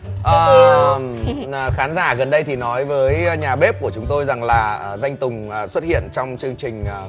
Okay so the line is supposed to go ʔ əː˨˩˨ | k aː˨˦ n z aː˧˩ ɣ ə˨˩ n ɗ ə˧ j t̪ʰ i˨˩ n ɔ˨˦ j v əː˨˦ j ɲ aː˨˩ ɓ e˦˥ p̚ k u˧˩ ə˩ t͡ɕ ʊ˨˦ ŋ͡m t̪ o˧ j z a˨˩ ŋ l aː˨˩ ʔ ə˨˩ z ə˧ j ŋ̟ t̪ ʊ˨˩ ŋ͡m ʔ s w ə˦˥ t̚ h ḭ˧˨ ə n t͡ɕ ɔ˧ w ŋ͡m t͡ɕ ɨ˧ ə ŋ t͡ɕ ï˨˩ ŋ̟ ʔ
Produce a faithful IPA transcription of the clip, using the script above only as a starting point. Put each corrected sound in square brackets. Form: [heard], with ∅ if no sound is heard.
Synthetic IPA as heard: ʔ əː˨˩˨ | [x] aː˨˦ n z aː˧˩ ɣ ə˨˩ n ɗ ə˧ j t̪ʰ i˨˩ n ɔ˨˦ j v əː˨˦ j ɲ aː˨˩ ɓ e˦˥ p̚ k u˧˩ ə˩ t͡ɕ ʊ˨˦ ŋ͡m t̪ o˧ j z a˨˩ ŋ l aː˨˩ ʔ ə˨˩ z [a˧] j ŋ̟ t̪ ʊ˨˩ ŋ͡m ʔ s w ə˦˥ t̚ h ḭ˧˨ ə n t͡ɕ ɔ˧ w ŋ͡m t͡ɕ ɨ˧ ə ŋ t͡ɕ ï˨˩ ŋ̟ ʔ